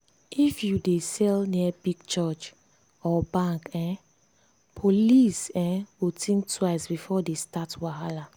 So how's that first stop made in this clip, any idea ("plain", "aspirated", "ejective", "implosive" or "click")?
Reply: plain